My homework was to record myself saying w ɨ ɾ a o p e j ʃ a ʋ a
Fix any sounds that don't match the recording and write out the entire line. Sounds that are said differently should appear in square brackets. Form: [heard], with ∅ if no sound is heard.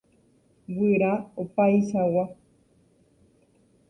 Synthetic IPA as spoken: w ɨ ɾ a o p [a] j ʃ a [w] a

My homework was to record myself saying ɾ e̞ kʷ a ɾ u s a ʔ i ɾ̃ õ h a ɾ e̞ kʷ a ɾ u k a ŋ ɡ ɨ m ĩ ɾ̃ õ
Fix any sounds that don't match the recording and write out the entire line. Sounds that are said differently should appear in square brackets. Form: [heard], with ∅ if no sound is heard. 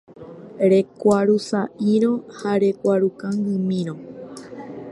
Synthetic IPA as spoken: ɾ e̞ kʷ a ɾ u s a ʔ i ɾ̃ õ h a ɾ e̞ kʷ a ɾ u k a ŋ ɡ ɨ m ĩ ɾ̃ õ

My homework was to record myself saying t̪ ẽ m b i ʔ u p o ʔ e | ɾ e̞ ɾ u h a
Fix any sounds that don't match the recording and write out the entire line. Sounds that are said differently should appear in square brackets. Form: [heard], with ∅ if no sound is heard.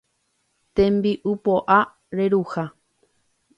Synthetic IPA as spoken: t̪ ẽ m b i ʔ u p o ʔ [a] | ɾ e̞ ɾ u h a

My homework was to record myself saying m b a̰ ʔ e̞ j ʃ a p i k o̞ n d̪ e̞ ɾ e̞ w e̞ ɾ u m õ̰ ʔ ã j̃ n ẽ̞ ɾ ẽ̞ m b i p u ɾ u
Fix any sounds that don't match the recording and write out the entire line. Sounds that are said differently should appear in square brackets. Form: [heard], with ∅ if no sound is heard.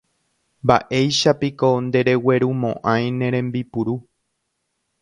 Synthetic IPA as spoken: m b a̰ ʔ e̞ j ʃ a p i k o̞ n d̪ e̞ ɾ e̞ w e̞ ɾ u m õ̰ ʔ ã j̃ n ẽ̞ ɾ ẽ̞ m b i p u ɾ u

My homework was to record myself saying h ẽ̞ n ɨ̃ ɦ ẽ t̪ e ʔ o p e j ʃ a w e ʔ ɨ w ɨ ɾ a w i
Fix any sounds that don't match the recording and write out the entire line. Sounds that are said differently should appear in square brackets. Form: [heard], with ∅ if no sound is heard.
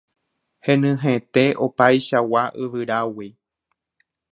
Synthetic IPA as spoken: h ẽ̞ n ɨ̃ ɦ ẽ t̪ e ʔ o p [a] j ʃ a w [a] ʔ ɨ [ʋ] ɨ ɾ a w i

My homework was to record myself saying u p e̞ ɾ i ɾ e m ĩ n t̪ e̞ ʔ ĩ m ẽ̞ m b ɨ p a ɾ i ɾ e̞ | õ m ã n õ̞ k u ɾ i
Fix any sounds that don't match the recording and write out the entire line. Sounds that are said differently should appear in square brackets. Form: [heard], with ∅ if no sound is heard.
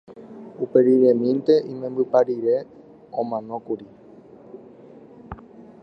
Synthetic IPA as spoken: u p e̞ ɾ i ɾ e m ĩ n t̪ e̞ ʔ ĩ m ẽ̞ m b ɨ p a ɾ i ɾ e̞ | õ m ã n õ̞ k u ɾ i

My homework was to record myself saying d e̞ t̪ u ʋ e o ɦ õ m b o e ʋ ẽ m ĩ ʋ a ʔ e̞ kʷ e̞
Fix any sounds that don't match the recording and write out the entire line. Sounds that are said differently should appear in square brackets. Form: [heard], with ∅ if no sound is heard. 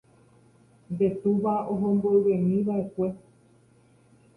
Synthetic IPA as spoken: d e̞ t̪ u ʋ [a] o ɦ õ m b o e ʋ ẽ m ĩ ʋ a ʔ e̞ kʷ e̞

